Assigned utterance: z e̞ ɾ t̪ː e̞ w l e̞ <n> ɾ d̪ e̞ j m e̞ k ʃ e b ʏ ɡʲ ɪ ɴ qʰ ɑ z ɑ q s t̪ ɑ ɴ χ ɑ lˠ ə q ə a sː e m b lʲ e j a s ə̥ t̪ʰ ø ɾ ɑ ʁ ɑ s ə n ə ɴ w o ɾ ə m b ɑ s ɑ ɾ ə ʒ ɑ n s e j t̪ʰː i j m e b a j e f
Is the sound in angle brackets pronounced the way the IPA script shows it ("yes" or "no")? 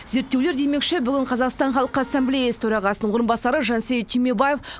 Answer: no